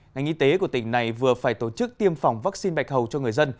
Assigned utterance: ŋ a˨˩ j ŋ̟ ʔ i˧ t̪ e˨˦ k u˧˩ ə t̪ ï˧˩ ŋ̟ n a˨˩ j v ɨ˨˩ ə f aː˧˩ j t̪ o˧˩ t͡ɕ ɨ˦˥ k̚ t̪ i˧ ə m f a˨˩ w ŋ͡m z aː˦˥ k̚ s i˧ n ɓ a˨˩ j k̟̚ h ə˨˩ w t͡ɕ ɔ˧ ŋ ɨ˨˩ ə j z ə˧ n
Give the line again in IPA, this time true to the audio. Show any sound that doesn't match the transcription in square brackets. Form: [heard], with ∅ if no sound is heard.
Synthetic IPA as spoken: ŋ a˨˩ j ŋ̟ ʔ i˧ t̪ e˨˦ k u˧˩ ə t̪ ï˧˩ ŋ̟ n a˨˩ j v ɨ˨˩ ə f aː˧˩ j t̪ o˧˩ t͡ɕ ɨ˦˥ k̚ t̪ i˧ ə m f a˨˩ w ŋ͡m [v] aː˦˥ k̚ s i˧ n ɓ a˨˩ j k̟̚ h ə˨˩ w t͡ɕ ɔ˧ ŋ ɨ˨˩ ə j z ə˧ n